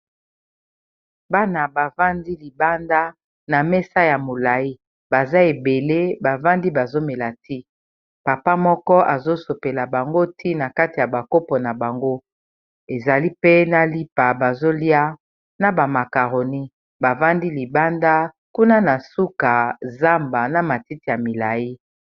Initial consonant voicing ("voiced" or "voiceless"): voiced